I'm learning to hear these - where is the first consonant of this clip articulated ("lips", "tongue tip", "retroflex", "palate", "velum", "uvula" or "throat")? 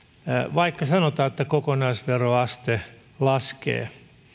lips